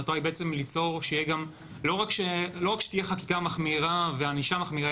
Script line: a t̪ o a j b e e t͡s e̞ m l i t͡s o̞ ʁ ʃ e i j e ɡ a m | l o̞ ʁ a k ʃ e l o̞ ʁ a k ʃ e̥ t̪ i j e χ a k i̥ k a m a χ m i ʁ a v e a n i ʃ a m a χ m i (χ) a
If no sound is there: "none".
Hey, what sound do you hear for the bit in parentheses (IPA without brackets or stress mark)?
ʁ